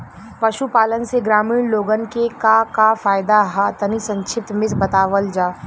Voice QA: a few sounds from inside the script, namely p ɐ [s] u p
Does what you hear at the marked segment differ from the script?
yes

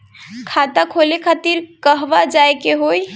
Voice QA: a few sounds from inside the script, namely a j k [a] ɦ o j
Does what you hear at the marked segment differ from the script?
yes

